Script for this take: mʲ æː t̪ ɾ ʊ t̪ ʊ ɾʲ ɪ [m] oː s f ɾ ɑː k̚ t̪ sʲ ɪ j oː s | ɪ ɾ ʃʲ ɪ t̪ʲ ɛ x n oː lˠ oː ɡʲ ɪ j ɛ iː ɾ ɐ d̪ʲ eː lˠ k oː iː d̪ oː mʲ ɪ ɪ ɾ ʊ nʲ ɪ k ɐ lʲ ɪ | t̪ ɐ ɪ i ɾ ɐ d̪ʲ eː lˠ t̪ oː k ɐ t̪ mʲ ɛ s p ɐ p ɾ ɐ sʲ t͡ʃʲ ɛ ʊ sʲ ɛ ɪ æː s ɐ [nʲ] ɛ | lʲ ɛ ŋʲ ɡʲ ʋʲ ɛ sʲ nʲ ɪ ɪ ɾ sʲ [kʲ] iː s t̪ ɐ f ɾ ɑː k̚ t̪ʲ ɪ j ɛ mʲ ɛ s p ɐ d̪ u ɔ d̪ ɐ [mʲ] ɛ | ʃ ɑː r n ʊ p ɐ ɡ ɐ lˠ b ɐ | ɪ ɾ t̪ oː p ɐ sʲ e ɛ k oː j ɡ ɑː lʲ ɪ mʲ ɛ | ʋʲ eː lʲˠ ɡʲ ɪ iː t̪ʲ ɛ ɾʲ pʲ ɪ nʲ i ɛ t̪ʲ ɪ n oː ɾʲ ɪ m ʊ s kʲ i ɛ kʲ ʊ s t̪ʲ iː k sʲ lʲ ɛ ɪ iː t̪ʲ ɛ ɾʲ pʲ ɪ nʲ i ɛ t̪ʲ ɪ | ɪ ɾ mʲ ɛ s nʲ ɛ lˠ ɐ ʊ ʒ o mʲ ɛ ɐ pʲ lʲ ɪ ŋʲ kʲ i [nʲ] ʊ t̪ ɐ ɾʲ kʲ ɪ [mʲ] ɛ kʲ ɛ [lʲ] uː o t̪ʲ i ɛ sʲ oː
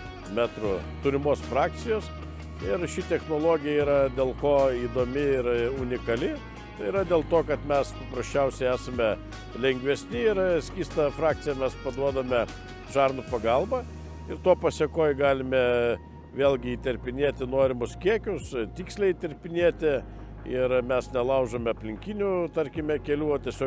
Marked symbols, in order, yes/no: yes, no, yes, yes, yes, yes, yes

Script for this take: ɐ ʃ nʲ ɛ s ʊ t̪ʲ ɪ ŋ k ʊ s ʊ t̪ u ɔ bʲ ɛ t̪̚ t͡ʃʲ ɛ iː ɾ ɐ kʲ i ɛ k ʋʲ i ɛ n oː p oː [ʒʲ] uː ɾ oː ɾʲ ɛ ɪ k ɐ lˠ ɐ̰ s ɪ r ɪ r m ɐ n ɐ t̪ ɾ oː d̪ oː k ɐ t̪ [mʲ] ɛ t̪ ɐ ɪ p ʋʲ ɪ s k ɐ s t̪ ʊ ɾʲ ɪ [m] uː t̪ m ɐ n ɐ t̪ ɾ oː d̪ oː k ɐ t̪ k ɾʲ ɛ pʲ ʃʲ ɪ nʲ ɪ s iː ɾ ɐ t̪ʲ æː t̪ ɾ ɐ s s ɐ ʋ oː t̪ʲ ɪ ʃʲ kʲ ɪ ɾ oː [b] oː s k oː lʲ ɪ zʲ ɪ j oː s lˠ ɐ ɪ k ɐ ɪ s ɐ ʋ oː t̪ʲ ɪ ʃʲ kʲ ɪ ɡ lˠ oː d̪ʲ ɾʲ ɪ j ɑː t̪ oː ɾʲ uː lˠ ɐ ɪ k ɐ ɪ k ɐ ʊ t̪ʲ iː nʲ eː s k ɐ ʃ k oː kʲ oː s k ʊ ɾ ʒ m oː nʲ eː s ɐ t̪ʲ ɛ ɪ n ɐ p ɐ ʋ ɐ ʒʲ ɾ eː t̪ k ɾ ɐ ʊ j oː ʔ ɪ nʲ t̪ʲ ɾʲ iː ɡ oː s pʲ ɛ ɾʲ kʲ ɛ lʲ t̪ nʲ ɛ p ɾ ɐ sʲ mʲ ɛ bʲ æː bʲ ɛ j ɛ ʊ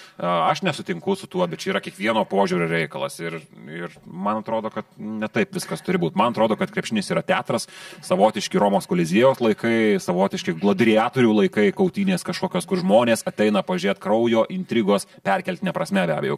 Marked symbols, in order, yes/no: yes, no, no, no

